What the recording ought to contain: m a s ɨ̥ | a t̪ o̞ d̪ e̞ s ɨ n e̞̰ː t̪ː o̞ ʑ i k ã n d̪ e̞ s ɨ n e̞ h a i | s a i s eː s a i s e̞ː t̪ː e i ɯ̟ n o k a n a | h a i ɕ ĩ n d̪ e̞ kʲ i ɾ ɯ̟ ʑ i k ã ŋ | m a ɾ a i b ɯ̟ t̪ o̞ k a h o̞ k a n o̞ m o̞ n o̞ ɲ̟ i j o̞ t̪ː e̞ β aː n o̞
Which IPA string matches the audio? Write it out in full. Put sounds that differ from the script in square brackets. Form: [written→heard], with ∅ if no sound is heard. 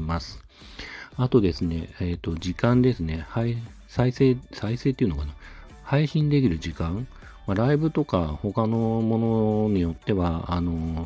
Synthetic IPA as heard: m a s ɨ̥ | a t̪ o̞ d̪ e̞ s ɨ n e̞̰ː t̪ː o̞ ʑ i k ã n d̪ e̞ s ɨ n e̞ h a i | s a i s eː s a i s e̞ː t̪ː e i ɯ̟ n o k a n a | h a i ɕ ĩ n d̪ e̞ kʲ i ɾ ɯ̟ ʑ i k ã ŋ | m a ɾ a i b ɯ̟ t̪ o̞ k a h o̞ k a n o̞ m o̞ n o̞ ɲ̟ i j o̞ t̪ː e̞ β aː n o̞